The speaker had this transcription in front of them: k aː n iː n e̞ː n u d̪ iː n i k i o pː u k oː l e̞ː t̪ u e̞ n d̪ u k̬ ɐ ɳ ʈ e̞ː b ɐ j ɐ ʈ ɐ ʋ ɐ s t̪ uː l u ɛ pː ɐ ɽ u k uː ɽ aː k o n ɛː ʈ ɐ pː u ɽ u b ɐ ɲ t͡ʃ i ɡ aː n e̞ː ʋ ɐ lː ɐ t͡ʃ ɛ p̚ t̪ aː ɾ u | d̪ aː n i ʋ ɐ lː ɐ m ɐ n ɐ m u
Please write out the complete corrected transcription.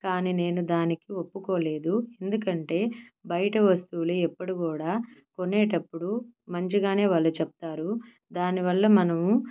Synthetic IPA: k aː n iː n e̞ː n u d̪ aː n i k i o pː u k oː l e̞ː d̪ u e̞ n d̪ u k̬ ɐ ɳ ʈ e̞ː b ɐ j ɐ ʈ ɐ ʋ ɐ s t̪ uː l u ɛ pː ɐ ɽ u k uː ɽ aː k o n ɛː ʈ ɐ pː u ɽ u m ɐ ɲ t͡ʃ i ɡ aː n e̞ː ʋ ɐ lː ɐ t͡ʃ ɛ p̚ t̪ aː ɾ u | d̪ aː n i ʋ ɐ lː ɐ m ɐ n ɐ m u